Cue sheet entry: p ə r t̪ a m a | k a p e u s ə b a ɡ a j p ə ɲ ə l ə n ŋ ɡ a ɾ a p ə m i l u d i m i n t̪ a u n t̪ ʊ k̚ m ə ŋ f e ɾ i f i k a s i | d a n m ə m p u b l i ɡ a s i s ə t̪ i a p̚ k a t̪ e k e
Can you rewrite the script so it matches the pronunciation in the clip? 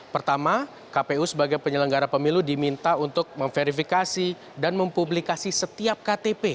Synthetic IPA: p ə r t̪ a m a | k a p e u s ə b a ɡ a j p ə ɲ ə l ə ŋ ɡ a ɾ a p ə m i l u d i m i n t̪ a u n t̪ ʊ k̚ m ə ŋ f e ɾ i f i k a s i | d a n m ə m p u b l i k a s i s ə t̪ i a p̚ k a t̪ e p e